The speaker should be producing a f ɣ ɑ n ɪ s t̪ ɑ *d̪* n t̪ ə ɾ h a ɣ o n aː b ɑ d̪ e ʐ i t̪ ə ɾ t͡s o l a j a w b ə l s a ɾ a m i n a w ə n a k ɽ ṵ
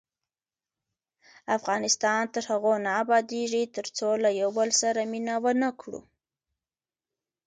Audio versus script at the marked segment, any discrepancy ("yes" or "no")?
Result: yes